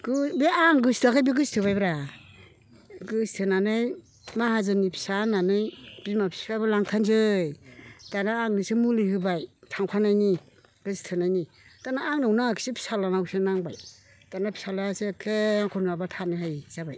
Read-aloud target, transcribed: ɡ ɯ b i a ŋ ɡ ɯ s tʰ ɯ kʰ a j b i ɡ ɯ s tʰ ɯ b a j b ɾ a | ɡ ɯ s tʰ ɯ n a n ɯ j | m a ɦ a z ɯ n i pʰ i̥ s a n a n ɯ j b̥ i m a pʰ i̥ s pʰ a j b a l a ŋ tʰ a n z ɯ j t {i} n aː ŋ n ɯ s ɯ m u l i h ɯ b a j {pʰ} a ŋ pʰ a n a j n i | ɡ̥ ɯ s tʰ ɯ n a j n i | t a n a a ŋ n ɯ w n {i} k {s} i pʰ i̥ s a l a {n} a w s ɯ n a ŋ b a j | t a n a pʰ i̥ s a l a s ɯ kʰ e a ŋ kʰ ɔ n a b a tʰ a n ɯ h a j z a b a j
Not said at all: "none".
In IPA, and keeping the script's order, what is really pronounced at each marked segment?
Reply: a, tʰ, a, s, n

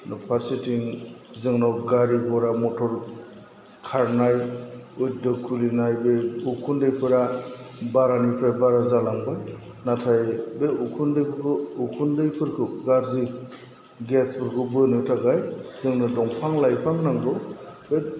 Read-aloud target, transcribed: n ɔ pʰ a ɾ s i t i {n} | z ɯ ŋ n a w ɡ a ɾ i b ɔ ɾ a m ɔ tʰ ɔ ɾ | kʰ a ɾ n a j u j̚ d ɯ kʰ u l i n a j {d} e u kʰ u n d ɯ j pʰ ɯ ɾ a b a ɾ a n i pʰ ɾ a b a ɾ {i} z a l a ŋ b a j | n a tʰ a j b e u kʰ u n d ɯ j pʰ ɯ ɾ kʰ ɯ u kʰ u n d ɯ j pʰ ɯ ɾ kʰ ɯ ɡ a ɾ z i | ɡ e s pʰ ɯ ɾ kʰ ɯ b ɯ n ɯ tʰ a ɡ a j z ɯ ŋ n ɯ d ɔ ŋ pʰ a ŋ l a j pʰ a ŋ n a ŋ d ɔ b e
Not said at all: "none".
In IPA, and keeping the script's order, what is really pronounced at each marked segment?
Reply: ŋ, b, a

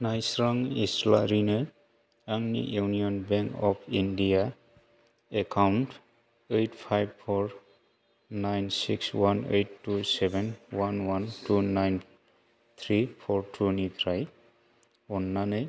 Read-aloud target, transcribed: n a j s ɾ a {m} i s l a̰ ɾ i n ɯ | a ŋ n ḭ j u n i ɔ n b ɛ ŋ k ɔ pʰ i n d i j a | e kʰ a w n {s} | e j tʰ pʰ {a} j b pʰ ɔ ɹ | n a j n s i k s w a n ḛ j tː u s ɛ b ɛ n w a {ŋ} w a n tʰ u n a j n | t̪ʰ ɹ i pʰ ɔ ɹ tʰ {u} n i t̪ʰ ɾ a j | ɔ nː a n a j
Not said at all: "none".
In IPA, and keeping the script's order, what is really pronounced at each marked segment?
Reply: ŋ, t, a, n, u

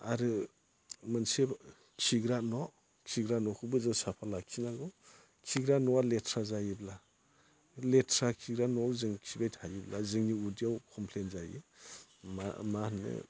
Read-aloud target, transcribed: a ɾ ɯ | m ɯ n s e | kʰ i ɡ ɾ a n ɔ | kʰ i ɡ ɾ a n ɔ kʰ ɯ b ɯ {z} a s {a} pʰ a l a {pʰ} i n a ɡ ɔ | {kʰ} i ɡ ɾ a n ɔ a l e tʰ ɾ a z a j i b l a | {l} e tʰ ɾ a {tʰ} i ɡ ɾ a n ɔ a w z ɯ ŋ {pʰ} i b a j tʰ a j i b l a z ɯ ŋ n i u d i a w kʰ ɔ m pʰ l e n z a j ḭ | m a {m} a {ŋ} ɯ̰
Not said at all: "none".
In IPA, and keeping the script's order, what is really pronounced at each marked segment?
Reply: z, a, kʰ, kʰ, l, kʰ, kʰ, m, n

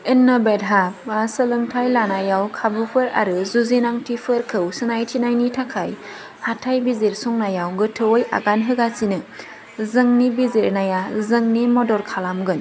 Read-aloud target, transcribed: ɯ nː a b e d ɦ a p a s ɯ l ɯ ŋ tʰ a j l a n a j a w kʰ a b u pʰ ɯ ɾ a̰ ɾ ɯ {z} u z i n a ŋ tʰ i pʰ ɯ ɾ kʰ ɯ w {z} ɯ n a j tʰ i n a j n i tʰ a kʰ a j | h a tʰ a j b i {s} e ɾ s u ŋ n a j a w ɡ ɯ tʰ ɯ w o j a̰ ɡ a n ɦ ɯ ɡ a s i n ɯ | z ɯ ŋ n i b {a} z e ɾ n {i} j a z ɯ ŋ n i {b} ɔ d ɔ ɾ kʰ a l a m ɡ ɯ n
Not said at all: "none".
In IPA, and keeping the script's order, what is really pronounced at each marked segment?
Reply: z, s, z, i, a, m

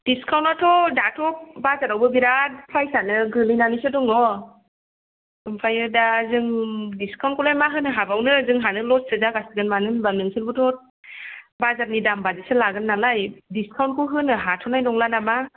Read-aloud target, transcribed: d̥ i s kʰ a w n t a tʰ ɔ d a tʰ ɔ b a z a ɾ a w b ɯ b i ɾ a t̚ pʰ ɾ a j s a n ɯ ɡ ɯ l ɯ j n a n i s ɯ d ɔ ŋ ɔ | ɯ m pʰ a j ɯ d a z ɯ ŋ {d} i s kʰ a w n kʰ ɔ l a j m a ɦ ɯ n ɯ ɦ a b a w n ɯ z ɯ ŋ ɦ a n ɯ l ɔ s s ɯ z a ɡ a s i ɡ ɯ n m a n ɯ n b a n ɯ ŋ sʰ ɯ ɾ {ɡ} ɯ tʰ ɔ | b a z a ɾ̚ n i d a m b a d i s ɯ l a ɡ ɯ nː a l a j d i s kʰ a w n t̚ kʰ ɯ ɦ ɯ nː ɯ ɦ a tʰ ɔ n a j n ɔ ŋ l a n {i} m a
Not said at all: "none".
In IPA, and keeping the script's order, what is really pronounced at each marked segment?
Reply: d, b, a

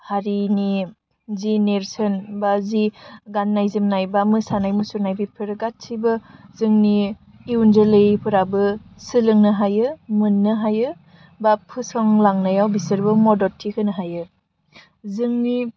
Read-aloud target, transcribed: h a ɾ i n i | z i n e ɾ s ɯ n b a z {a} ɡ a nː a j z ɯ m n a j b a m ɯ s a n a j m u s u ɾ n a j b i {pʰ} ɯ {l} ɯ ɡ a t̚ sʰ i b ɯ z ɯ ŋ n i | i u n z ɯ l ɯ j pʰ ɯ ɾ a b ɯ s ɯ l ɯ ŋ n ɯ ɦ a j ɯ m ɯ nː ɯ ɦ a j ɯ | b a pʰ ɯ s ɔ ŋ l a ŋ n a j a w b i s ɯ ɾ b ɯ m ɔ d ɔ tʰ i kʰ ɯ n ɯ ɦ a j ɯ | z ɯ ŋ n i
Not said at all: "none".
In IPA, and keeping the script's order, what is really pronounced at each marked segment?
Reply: i, pʰ, ɾ

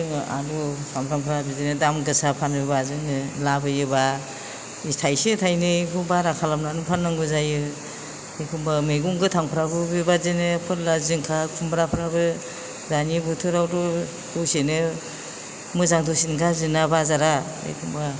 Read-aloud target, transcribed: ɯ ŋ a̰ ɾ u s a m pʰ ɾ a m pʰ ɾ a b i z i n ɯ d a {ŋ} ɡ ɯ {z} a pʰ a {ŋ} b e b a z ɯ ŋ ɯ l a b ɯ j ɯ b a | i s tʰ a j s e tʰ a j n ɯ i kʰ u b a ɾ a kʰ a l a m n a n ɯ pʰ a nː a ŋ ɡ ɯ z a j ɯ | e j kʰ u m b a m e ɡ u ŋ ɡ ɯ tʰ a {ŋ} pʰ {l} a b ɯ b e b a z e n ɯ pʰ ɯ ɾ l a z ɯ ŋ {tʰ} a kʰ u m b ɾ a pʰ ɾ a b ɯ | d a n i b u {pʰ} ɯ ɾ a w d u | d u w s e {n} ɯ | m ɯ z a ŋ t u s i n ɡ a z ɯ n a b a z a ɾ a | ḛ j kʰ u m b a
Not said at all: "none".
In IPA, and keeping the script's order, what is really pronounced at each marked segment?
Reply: m, s, n, ŋ, ɾ, kʰ, tʰ, n

